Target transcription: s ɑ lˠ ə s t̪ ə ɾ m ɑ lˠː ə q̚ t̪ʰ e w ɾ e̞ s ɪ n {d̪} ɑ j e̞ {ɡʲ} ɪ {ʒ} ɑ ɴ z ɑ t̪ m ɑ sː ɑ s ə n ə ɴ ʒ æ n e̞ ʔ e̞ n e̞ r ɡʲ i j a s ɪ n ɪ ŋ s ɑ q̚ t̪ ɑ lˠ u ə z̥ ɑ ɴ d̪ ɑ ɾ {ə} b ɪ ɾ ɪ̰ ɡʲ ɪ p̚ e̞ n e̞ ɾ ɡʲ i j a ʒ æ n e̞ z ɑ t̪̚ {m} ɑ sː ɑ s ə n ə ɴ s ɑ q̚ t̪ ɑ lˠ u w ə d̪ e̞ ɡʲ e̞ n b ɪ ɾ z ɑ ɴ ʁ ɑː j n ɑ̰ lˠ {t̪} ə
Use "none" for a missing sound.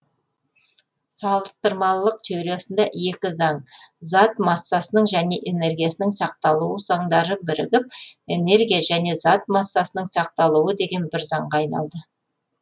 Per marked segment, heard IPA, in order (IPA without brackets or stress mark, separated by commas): d̪, kʲ, z, ə, m, d̪